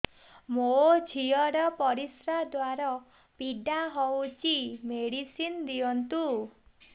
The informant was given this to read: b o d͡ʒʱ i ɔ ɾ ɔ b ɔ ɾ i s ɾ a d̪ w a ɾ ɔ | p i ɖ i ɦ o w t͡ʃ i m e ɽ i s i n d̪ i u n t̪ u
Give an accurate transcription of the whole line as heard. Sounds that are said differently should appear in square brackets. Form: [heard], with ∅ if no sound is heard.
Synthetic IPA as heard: [m] o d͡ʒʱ i ɔ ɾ ɔ [p] ɔ ɾ i s ɾ a d̪ w a ɾ ɔ | p i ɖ [a] ɦ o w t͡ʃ i m e ɽ i s i n d̪ i [ɔ] n t̪ u